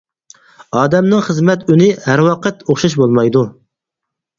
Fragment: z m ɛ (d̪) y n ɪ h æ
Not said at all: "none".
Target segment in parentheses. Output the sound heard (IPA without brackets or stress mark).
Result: t̪